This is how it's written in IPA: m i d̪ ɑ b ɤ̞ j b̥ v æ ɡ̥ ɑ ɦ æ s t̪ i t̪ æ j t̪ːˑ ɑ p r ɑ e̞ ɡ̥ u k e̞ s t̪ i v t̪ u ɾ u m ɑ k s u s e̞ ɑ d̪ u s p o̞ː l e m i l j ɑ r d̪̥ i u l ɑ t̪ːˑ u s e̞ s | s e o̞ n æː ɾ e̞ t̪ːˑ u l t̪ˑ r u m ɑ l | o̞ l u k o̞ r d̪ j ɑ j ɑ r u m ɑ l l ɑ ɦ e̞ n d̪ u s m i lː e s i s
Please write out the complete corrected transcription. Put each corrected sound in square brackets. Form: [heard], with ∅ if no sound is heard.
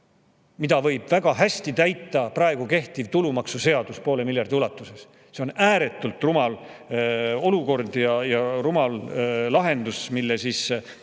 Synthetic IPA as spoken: m i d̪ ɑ [v] ɤ̞ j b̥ v æ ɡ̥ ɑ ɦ æ s t̪ i t̪ æ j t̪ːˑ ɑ p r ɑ e̞ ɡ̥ u k e̞ [h] t̪ i v t̪ u [l] u m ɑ k s u s e̞ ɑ d̪ u s p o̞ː l e m i l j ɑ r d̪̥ i u l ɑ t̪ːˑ u s e̞ s | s e o̞ n æː ɾ e̞ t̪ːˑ u l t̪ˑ r u m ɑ l | o̞ l u k o̞ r d̪ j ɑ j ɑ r u m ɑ l l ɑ ɦ e̞ n d̪ u s m i lː e s i s